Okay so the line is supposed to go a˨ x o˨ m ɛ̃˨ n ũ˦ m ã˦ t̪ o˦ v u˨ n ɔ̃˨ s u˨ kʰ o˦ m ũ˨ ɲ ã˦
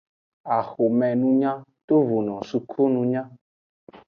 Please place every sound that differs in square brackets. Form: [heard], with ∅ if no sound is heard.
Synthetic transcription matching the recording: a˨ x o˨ m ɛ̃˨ n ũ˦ [ɲ] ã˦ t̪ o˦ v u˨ n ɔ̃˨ s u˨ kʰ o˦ [n] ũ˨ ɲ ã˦